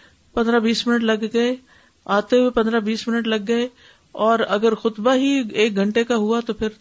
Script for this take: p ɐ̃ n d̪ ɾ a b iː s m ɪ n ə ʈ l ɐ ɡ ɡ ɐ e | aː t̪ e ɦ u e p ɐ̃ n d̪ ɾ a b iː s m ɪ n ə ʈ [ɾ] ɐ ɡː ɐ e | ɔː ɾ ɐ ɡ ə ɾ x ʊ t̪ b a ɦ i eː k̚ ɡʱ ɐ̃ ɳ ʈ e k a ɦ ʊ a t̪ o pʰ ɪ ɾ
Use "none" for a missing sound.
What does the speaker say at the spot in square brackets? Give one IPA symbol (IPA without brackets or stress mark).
l